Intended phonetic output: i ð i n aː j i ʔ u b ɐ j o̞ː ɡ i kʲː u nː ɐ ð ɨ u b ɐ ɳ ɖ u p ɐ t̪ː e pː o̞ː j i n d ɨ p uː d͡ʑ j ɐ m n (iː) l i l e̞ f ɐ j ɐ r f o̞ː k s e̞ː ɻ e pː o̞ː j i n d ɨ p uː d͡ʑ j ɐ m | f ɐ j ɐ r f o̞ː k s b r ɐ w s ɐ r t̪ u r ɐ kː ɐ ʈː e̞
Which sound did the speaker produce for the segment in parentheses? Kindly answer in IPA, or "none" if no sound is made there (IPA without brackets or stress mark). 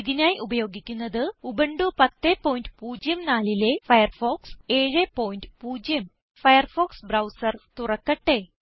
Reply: aː